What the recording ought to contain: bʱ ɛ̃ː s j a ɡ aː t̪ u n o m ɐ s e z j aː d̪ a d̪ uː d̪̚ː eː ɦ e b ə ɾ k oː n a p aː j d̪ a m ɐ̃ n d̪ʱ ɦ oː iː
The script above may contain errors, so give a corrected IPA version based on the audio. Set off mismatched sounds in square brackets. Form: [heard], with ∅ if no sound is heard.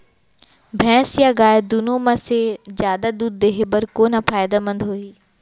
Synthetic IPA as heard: bʱ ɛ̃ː s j a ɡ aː [d̪] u n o m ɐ s e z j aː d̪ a d̪ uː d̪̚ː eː ɦ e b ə ɾ k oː n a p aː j d̪ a m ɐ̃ n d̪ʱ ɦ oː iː

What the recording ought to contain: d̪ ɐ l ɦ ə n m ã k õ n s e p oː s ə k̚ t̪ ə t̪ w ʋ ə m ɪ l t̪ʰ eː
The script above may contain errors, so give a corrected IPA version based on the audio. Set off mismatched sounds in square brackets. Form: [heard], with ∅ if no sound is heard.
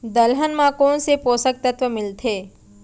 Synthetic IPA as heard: d̪ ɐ l ɦ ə n m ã k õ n s e p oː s ə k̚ t̪ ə t̪ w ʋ ə m ɪ l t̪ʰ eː

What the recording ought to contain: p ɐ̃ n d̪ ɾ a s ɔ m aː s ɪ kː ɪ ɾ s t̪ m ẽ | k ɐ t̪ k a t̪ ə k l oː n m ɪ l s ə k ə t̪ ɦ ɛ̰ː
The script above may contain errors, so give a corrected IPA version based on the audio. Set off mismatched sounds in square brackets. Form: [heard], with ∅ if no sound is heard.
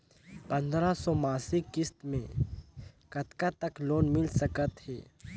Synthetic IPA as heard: p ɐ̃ n d̪ ɾ a s ɔ m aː s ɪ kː ɪ [∅] s t̪ m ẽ | k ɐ t̪ k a t̪ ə k l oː n m ɪ l s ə k ə t̪ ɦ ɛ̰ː

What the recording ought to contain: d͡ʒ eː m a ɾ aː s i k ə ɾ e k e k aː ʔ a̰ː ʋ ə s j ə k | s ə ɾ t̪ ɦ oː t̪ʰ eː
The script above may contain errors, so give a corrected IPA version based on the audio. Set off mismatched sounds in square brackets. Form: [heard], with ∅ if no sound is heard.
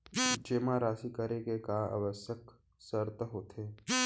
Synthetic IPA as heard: d͡ʒ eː m a ɾ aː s i k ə ɾ e k e k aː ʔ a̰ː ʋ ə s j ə k | s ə ɾ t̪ ɦ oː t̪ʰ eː

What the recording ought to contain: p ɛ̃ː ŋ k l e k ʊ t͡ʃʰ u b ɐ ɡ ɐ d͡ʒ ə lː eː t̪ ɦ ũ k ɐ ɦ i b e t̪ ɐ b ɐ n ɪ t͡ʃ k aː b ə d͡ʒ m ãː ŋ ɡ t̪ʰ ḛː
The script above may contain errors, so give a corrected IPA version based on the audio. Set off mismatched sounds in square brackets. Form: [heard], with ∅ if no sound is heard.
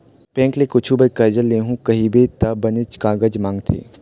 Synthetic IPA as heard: p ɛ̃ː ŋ k l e k ʊ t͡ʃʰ u b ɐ [k] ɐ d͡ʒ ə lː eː [∅] ɦ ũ k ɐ ɦ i b e t̪ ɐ b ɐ n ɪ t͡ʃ k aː [ɡ] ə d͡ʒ m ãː ŋ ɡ t̪ʰ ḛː

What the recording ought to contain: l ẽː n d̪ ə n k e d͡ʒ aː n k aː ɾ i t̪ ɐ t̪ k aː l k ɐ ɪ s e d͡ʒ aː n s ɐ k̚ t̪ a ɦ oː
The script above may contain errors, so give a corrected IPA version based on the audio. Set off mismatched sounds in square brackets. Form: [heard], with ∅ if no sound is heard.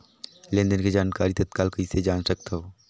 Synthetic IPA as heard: l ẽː n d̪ ə n k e d͡ʒ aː n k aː ɾ i t̪ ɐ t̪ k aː l k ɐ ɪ s e d͡ʒ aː n s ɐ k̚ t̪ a ɦ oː

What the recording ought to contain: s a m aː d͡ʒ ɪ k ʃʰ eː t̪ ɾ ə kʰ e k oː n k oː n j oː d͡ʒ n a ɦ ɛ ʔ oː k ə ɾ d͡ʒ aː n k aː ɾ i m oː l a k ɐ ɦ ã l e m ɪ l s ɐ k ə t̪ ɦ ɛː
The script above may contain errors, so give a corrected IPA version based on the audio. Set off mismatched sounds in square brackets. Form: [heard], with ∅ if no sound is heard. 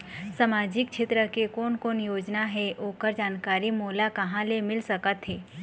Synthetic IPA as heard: s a m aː d͡ʒ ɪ k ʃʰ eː t̪ ɾ ə [k] e k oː n k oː n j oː d͡ʒ n a ɦ ɛ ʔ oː k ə ɾ d͡ʒ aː n k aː ɾ i m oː l a k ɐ ɦ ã l e m ɪ l s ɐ k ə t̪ ɦ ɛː

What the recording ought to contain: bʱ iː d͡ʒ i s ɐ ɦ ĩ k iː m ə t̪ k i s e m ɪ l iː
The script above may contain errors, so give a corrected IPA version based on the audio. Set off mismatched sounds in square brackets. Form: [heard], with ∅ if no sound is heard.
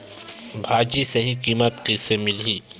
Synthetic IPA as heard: bʱ [aː] d͡ʒ i s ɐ ɦ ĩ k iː m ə t̪ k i s e m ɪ l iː

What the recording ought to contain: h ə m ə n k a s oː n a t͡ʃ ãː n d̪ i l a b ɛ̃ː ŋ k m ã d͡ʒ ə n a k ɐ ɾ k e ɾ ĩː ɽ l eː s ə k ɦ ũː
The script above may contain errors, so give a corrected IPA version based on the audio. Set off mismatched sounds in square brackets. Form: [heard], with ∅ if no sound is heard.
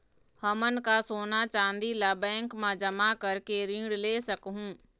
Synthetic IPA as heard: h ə m ə n k a s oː n a t͡ʃ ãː n d̪ i l a b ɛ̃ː ŋ k m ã d͡ʒ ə [m] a k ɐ ɾ k e ɾ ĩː ɽ l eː s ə k ɦ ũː

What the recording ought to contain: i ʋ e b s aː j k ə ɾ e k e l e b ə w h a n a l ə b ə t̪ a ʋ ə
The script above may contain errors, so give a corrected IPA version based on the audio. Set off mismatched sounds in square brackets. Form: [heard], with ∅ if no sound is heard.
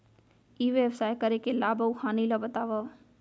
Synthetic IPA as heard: i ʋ e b s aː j k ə ɾ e k e l [a] b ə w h a n [i] l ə b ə t̪ a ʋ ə

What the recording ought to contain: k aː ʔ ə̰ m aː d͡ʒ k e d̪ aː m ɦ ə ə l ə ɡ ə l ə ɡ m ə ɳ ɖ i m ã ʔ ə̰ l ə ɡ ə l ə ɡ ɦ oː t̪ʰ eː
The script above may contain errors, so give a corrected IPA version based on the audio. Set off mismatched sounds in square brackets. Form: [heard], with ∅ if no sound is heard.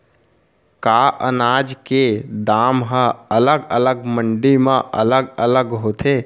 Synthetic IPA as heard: k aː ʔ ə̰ [n] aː d͡ʒ k e d̪ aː m ɦ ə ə l ə ɡ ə l ə ɡ m ə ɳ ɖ i m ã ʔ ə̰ l ə ɡ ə l ə ɡ ɦ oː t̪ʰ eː

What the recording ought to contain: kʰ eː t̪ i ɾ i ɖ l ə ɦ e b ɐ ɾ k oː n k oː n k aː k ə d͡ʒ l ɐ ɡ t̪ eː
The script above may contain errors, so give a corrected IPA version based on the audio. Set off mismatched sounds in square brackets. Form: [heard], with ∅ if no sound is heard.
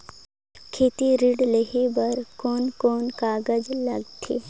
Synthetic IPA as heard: kʰ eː t̪ i ɾ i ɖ l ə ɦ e b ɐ ɾ k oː n k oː n k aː [ɡ] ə d͡ʒ l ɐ ɡ [t̪ʰ] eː

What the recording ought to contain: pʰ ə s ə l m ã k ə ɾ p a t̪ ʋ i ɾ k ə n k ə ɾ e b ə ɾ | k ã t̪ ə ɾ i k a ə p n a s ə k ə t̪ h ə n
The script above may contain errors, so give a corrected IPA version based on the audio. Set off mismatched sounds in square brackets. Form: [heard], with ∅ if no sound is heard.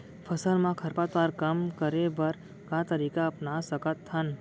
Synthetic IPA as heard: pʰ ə s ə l m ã [kʰ] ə ɾ p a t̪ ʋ [a] ɾ k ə [m] k ə ɾ e b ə ɾ | k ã t̪ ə ɾ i k a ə p n a s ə k ə t̪ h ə n

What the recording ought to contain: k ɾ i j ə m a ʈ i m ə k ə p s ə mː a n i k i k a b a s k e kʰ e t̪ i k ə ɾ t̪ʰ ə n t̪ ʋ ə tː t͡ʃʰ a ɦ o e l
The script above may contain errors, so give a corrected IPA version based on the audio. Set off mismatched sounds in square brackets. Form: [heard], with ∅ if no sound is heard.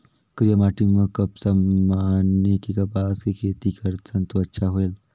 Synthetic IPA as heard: k ɾ i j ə m a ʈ i m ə k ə p s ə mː a n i k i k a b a s k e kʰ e t̪ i k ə ɾ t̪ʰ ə n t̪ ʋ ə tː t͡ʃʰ a ɦ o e l

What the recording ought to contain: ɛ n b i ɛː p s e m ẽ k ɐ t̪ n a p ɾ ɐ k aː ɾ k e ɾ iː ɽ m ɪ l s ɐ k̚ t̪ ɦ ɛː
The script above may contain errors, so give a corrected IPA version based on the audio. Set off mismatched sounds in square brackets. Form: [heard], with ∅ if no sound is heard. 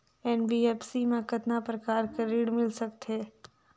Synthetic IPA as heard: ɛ n b i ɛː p s [i] m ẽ k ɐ t̪ n a p ɾ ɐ k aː ɾ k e ɾ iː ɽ m ɪ l s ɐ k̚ t̪ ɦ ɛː

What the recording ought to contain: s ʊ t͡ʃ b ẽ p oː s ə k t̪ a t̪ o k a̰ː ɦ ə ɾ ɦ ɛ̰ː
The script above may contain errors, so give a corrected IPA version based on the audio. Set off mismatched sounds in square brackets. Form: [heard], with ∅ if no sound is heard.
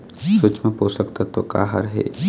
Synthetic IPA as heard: s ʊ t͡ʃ [m] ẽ p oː s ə k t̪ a t̪ o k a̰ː ɦ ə ɾ ɦ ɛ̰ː

